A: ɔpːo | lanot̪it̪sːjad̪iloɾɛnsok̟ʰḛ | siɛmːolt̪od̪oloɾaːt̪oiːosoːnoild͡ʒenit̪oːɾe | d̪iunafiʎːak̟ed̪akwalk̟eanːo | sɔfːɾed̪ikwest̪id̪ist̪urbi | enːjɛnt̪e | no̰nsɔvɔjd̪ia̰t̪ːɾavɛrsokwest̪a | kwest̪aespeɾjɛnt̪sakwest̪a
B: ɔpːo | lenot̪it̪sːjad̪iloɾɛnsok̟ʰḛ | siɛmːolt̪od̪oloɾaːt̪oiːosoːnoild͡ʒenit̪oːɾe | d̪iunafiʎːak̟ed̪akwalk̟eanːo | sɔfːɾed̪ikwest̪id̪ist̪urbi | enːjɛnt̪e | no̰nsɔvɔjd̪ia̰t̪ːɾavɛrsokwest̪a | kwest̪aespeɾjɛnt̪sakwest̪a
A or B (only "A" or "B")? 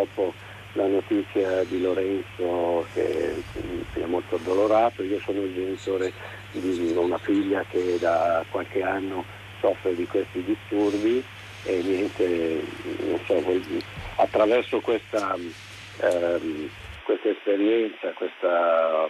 A